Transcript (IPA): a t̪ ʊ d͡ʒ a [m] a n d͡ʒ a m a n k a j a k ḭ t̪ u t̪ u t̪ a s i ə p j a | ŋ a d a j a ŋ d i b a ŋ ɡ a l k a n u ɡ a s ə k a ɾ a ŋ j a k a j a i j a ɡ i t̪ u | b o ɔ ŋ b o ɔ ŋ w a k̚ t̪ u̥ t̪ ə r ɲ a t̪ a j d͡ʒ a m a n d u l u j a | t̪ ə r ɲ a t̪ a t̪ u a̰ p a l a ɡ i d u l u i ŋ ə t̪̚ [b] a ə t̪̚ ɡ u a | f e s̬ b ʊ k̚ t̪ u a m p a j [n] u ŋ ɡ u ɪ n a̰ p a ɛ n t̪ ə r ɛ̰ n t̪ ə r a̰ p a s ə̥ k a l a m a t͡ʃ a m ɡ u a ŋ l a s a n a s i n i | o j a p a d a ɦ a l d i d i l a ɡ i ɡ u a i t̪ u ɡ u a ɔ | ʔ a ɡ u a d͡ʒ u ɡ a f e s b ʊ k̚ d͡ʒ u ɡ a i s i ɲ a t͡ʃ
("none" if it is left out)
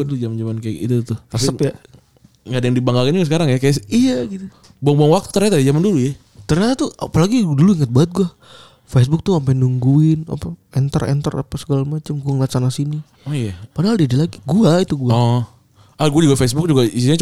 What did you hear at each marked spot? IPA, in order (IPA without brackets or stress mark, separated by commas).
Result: m, b, n